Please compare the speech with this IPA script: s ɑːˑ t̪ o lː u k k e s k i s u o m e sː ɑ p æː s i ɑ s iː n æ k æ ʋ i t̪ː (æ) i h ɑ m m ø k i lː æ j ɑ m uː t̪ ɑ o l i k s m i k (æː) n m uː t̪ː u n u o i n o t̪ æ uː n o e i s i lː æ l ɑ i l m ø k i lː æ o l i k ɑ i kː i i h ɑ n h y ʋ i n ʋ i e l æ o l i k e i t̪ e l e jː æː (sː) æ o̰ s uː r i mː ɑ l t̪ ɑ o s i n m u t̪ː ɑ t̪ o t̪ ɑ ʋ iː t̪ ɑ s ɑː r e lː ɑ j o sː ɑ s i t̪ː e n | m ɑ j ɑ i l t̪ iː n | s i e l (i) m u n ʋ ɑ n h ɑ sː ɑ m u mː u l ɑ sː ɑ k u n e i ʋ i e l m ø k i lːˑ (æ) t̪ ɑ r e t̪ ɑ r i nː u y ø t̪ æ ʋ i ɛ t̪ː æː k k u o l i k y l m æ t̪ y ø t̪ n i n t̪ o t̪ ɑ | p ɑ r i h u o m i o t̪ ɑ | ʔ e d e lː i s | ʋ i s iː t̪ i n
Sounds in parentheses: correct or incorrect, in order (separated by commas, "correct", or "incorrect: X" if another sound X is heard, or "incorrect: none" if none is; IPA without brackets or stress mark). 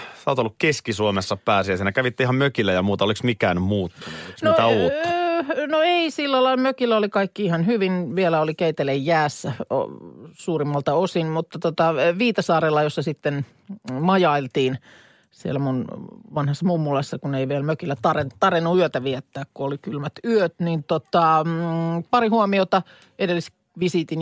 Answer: incorrect: e, correct, correct, incorrect: æ, correct